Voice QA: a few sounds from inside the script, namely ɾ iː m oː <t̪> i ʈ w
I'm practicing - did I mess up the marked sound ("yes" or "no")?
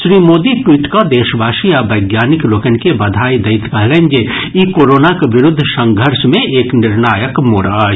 yes